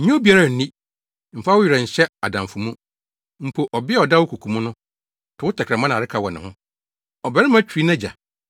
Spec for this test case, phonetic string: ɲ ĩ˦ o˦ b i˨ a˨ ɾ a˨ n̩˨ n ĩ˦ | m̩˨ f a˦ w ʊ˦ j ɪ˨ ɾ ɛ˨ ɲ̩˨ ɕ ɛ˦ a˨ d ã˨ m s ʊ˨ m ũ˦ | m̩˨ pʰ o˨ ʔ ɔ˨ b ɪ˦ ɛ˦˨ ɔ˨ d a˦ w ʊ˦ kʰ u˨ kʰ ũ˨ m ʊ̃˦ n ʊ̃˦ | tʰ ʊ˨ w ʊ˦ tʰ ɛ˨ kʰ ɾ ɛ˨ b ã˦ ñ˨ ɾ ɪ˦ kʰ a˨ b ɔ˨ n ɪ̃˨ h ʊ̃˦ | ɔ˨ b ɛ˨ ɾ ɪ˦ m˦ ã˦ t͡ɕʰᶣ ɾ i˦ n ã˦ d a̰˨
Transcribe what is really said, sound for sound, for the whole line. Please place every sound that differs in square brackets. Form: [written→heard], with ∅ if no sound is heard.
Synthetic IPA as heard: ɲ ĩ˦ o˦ b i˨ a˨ ɾ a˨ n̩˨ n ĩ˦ | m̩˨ f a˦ w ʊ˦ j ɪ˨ ɾ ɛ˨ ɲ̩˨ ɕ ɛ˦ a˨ d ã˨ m [s→f] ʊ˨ m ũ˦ | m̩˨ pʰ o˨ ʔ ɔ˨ b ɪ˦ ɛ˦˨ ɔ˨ d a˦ w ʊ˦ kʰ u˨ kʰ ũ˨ m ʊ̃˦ n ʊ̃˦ | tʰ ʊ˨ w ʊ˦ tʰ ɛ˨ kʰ ɾ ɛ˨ [b→m] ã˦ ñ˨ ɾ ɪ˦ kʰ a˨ [b→w] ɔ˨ n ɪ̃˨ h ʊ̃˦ | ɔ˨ b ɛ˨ ɾ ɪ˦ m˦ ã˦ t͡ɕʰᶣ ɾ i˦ n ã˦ [d→d͡ʑ] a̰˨

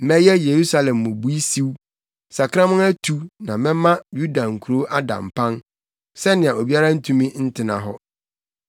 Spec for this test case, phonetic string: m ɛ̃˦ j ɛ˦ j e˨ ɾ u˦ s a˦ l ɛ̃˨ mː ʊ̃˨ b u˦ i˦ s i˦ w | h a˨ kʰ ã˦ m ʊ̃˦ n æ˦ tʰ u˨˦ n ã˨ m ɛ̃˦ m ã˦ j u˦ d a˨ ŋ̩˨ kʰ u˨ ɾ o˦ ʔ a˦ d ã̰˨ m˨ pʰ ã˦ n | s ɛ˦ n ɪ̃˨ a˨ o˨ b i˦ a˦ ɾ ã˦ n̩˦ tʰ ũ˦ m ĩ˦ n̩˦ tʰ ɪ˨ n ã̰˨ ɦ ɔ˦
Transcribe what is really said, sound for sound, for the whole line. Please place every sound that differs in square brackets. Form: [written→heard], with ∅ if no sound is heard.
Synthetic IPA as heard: m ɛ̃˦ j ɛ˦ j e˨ ɾ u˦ s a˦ l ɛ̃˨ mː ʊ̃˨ b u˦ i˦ s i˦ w | [h→s] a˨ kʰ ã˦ m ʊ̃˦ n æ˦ tʰ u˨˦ n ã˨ m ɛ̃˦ m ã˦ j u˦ d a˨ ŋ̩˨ kʰ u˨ ɾ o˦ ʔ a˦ d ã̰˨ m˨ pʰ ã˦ n | s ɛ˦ n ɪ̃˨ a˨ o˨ b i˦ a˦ ɾ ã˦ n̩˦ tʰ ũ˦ m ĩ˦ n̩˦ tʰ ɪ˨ n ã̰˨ ɦ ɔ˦

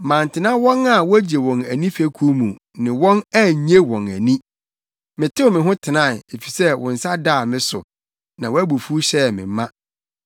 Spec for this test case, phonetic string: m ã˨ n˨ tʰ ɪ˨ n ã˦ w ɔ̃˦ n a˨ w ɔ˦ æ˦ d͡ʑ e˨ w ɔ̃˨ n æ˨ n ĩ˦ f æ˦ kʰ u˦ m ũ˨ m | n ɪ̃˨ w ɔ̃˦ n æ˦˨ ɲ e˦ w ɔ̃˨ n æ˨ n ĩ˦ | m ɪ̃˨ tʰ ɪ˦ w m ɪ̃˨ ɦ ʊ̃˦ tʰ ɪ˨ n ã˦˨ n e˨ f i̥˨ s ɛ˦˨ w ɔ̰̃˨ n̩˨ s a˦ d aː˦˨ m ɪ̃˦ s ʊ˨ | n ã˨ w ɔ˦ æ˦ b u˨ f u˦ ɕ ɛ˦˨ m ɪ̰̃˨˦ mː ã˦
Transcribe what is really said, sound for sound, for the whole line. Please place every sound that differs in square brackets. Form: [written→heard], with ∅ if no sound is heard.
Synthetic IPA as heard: m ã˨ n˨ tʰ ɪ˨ n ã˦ w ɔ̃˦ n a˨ w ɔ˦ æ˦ d͡ʑ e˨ w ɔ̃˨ n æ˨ n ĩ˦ f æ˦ kʰ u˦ m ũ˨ [m→∅] | n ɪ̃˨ w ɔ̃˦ n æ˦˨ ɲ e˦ w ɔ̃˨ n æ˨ n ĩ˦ | m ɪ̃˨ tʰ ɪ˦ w m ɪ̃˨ ɦ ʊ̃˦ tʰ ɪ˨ n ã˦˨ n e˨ f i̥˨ s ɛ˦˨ w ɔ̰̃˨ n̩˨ s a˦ d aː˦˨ m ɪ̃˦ s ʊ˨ | n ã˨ w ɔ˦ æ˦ b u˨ f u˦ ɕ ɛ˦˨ m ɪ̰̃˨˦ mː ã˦

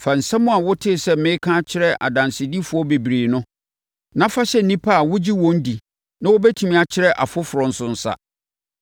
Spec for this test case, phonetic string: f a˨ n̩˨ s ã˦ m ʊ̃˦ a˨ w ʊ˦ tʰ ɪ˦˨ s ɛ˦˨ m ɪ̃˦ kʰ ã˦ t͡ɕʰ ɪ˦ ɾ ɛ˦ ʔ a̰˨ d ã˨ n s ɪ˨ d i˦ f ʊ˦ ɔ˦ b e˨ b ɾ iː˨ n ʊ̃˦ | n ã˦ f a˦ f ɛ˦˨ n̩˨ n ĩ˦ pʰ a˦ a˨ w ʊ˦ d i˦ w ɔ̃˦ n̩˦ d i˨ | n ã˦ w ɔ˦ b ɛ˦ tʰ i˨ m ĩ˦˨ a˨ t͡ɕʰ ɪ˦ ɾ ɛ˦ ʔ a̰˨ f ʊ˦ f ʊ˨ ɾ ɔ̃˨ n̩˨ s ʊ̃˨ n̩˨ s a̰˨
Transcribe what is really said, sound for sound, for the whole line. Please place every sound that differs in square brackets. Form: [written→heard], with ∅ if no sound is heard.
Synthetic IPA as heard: f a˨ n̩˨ s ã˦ m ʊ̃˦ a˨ w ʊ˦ tʰ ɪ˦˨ s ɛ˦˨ m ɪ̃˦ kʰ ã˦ t͡ɕʰ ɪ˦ ɾ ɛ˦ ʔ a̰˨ d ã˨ n s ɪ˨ d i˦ f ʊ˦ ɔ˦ b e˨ b ɾ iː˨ n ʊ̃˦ | n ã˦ f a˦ [f→ɕ] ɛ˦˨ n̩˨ n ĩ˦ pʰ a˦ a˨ w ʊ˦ [d→d͡ʑ] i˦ w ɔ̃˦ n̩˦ d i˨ | n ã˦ w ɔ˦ b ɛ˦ tʰ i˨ m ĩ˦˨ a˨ t͡ɕʰ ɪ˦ ɾ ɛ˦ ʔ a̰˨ f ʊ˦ f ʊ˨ ɾ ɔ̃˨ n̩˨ s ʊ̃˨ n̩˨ s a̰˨

